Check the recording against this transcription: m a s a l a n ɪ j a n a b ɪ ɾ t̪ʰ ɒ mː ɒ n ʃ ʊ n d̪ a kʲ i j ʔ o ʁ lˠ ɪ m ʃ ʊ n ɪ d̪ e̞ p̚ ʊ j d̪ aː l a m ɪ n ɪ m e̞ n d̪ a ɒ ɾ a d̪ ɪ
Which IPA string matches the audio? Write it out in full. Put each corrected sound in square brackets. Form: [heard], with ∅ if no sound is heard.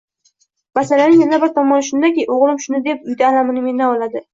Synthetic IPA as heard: m a s a l a n ɪ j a n a b ɪ ɾ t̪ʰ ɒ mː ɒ n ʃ ʊ n d̪ a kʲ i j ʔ o ʁ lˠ ɪ m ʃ ʊ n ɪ d̪ e̞ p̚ ʊ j d̪ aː l a m ɪ n ɪ m e̞ n d̪ a ɒ [l] a d̪ ɪ